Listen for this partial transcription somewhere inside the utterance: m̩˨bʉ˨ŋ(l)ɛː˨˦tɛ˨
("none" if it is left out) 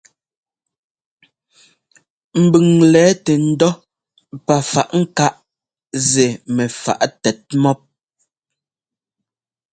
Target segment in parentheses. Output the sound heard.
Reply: l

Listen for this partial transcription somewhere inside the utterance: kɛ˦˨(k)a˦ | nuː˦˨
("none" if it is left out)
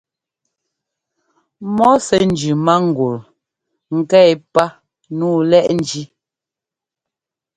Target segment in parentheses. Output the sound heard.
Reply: p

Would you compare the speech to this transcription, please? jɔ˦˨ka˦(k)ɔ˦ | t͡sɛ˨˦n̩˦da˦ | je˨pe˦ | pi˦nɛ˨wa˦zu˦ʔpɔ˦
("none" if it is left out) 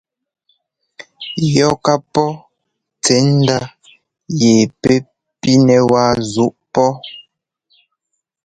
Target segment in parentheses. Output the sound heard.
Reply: p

